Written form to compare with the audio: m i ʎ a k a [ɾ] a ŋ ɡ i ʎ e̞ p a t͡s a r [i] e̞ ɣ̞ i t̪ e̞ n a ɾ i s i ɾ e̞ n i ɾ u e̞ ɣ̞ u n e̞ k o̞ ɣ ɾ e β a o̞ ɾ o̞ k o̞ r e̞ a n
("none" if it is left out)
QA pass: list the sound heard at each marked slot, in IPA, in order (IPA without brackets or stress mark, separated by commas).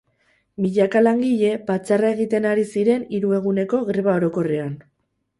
l, a